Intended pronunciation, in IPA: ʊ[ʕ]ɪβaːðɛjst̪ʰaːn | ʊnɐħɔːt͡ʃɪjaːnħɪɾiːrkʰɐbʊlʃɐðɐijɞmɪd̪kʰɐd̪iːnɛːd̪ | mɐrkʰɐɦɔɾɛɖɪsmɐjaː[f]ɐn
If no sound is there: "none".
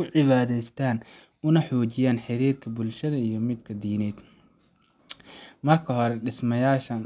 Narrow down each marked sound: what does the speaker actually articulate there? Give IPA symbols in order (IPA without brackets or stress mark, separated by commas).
ʕ, ʃ